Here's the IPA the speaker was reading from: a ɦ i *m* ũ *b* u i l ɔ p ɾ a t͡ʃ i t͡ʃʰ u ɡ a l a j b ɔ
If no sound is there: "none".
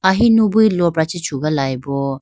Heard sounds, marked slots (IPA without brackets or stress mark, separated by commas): n, b